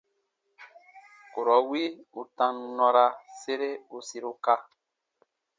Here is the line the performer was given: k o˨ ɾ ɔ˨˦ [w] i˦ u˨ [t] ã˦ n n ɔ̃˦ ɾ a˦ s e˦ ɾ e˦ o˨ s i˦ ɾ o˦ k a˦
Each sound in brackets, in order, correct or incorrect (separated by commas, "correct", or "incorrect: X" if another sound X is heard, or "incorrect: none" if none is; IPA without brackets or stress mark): correct, correct